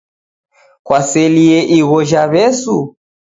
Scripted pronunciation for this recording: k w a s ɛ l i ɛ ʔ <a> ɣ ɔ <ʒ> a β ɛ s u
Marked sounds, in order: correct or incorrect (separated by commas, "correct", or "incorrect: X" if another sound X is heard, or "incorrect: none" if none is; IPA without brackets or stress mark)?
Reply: incorrect: i, correct